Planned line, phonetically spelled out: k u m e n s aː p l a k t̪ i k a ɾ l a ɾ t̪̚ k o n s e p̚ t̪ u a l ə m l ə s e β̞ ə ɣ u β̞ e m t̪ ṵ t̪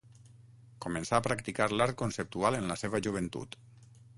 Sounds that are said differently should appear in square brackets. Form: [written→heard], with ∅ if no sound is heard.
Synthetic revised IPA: k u m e n s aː p [l→ɾ] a k t̪ i k a ɾ l a ɾ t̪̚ k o n s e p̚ t̪ u a l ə [m→n] l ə s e β̞ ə [ɣ→ʒ] u β̞ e [m→n] t̪ ṵ t̪